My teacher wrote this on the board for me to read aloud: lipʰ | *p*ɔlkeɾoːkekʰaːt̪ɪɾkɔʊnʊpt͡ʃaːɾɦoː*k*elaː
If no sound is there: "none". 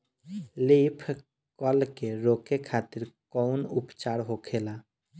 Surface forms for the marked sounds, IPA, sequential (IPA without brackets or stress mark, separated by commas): k, kʰ